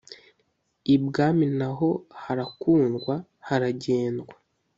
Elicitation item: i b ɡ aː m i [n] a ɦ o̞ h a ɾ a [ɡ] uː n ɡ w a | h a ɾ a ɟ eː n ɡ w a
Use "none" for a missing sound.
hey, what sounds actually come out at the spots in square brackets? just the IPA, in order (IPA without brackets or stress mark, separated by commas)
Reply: n, k